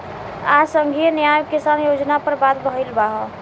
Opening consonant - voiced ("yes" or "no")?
no